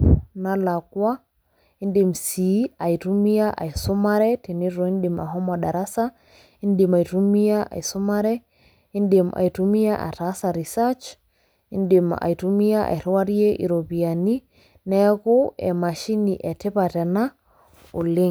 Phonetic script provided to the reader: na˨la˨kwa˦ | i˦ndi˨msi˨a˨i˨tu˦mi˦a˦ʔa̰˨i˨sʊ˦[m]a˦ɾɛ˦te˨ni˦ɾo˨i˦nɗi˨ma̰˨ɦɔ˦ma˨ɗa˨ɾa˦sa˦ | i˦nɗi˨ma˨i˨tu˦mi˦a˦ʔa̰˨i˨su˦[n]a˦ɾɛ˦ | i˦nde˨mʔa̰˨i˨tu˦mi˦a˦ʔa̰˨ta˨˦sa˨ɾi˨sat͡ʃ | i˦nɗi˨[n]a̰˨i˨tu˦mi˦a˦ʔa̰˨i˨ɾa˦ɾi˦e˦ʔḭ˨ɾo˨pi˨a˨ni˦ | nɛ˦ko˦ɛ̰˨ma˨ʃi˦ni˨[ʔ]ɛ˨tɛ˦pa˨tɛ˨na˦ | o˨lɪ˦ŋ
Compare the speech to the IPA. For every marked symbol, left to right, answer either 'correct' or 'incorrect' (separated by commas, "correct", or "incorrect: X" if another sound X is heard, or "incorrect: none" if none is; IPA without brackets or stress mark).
correct, incorrect: m, incorrect: m, correct